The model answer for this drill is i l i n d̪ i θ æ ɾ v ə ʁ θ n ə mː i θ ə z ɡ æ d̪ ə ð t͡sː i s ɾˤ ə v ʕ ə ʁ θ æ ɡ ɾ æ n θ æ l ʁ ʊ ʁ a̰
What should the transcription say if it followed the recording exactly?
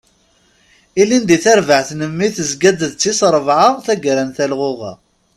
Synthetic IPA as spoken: i l i n d̪ i θ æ ɾ v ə ʕ θ n ə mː i θ ə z ɡ æ d̪ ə ð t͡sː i s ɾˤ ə v ʕ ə ʁ θ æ ɡ ɾ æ n θ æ l ʁ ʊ ʁ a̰